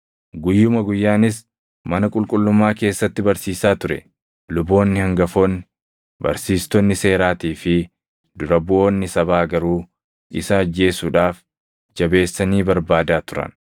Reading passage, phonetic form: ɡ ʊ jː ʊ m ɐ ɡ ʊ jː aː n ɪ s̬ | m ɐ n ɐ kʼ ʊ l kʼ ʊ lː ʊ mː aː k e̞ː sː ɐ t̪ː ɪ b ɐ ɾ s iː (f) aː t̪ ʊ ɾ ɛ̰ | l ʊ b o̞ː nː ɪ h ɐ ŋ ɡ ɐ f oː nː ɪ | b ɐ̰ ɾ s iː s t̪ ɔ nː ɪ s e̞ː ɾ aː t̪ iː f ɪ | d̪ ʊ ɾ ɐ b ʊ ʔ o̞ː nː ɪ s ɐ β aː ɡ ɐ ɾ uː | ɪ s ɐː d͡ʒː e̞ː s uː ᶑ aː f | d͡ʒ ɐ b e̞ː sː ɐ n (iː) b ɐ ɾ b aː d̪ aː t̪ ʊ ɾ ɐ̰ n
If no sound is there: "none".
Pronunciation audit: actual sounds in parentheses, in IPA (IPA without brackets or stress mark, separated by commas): s, iː